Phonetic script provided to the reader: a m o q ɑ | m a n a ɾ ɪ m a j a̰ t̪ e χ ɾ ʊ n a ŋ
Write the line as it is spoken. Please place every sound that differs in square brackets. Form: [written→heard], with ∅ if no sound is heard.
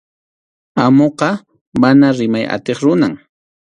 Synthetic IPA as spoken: a m o q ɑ | m a n a ɾ ɪ m a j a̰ t̪ e χ ɾ ʊ n a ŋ